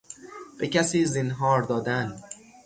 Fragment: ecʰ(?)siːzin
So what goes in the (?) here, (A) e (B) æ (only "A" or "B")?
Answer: B